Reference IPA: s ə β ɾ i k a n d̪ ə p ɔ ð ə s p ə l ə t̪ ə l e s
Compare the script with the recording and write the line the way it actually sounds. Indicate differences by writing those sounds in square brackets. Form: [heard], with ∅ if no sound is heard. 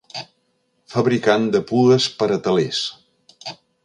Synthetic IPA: [f] ə β ɾ i k a n d̪ ə p [u] ð ə s p ə [ɾ] ə t̪ ə l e s